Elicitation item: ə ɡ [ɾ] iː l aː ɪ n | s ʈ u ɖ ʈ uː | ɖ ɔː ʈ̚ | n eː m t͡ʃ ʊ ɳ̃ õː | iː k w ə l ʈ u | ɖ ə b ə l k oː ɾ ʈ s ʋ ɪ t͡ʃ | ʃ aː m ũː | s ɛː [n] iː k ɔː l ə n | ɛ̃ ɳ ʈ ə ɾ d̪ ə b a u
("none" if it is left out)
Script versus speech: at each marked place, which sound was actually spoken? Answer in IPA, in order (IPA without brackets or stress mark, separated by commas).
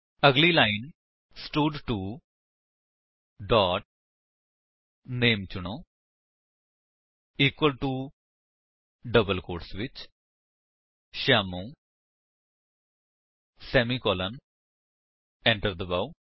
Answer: l, m